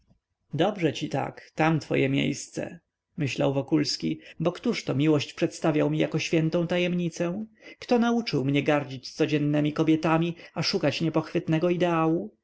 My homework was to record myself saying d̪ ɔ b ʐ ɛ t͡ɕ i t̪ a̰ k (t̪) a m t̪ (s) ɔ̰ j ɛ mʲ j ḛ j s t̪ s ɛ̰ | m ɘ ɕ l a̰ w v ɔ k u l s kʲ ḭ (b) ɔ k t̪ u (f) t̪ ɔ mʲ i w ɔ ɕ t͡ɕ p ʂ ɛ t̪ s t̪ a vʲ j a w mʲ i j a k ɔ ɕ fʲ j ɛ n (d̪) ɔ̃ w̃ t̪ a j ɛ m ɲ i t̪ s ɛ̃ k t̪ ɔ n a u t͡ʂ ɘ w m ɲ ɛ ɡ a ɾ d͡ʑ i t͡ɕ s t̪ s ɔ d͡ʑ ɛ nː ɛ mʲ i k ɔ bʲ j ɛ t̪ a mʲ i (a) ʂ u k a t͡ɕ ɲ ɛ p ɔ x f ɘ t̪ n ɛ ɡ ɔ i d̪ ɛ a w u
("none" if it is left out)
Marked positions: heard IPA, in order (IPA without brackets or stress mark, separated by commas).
t̪, f, b, ʂ, t̪, a